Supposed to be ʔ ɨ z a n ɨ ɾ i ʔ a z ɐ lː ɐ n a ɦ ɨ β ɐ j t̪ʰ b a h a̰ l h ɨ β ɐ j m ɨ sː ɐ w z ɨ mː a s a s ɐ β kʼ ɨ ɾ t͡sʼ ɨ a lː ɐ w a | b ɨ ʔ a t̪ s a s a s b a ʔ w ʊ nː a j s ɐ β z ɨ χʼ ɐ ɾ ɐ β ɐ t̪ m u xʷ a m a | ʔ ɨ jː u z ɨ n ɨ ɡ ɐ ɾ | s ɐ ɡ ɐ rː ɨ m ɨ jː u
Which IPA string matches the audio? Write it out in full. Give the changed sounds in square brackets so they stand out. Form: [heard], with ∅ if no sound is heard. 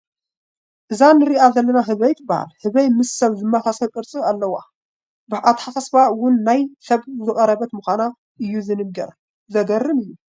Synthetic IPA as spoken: ʔ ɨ z a n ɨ ɾ i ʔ a z ɐ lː ɐ n a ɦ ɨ β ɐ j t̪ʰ b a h a̰ l h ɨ β ɐ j m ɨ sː ɐ [β] z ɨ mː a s a s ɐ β kʼ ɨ ɾ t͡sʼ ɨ a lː ɐ w a | b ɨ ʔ a t̪ [ħ] a s a s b a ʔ w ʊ nː a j s ɐ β z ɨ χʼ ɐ ɾ ɐ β ɐ t̪ m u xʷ a [n] a | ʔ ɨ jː u z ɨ n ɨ ɡ ɐ ɾ | [z] ɐ ɡ ɐ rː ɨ m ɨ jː u